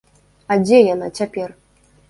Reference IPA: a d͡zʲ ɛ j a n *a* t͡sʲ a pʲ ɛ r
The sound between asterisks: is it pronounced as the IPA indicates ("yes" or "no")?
yes